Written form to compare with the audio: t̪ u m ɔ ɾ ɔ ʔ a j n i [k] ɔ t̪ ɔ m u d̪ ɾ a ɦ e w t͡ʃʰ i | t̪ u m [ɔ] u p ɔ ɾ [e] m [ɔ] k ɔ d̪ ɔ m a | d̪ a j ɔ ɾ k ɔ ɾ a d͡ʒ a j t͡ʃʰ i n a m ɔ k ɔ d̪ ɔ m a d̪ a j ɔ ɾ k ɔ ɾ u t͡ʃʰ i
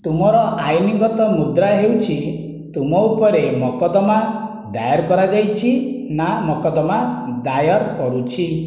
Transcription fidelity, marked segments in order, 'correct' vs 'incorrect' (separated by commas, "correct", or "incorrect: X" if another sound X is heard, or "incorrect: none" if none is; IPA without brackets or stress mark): incorrect: ɡ, correct, correct, correct